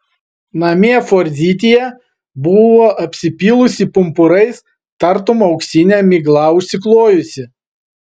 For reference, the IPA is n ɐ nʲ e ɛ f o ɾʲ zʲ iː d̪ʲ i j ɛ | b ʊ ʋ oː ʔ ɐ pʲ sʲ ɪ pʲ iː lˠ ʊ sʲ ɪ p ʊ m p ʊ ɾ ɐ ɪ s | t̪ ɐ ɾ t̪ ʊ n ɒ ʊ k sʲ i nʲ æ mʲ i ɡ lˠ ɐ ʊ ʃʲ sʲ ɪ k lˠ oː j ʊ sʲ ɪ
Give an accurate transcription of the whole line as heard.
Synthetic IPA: n ɐ mʲ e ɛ f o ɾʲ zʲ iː t̪ʲ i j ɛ | b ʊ ʋ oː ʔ ɐ pʲ sʲ ɪ pʲ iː lˠ ʊ sʲ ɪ p ʊ m p ʊ ɾ ɐ ɪ s | t̪ ɐ ɾ t̪ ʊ m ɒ ʊ k sʲ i nʲ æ mʲ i ɡ lˠ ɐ ʊ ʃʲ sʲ ɪ k lˠ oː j ʊ sʲ ɪ